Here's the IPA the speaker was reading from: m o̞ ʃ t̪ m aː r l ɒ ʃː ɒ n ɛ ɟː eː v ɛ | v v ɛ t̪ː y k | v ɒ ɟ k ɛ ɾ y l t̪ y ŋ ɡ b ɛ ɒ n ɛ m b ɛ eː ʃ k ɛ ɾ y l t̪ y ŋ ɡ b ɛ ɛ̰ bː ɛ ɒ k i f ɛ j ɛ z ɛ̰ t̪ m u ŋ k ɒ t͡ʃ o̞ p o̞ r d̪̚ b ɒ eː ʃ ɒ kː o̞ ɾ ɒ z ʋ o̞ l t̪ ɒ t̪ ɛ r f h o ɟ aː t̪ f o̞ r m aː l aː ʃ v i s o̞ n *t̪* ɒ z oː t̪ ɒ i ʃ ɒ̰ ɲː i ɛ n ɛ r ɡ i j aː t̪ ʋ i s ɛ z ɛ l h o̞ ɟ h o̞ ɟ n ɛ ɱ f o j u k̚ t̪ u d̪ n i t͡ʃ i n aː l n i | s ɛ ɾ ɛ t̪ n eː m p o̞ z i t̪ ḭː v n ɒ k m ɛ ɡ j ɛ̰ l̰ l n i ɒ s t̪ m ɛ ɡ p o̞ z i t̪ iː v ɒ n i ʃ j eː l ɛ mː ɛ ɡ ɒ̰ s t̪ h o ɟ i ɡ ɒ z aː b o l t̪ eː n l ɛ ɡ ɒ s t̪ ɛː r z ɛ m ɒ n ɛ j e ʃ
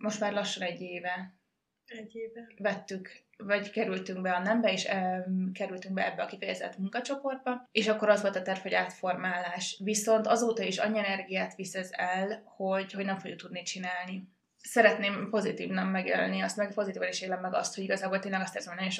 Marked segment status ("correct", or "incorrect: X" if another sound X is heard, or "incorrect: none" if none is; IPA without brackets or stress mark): correct